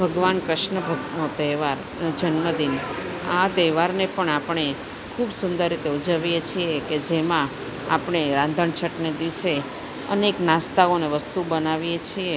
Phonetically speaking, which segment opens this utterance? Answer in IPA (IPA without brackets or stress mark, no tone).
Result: bʱ